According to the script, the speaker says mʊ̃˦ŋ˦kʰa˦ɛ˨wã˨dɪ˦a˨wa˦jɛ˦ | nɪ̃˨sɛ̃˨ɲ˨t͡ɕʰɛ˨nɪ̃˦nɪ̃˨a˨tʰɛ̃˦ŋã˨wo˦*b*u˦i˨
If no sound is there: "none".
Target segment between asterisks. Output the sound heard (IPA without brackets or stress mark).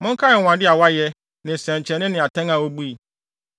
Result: b